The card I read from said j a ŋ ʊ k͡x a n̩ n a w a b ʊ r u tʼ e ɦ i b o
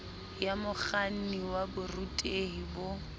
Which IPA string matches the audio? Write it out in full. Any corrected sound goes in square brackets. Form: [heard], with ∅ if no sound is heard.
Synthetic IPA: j a [m] ʊ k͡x a n̩ n [i] w a b ʊ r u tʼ e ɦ i b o